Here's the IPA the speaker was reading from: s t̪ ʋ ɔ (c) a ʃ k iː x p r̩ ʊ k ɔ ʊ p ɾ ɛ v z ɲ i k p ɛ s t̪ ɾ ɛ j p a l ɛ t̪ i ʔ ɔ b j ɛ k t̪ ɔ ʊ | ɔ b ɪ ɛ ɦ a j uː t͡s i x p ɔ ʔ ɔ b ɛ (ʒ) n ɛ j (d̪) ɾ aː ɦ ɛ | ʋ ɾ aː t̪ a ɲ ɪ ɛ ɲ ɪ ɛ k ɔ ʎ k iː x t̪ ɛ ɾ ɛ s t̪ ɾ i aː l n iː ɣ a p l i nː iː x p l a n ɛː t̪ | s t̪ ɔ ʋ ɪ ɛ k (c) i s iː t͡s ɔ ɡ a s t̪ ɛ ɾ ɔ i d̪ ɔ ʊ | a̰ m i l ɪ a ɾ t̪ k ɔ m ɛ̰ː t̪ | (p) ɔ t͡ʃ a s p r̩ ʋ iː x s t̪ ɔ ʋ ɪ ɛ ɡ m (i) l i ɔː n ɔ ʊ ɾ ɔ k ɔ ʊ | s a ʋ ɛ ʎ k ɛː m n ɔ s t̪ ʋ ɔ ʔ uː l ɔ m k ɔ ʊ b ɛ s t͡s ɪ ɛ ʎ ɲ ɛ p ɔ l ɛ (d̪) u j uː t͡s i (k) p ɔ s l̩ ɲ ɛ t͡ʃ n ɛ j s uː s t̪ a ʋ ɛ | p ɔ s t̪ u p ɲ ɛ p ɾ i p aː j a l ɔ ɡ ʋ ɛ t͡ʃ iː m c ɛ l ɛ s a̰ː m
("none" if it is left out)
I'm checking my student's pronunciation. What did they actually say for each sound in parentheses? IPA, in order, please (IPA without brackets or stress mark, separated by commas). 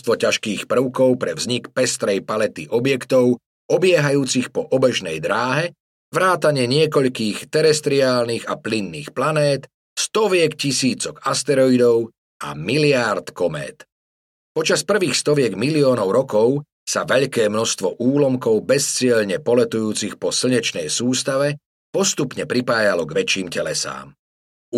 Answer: c, ʒ, d̪, c, p, i, t̪, x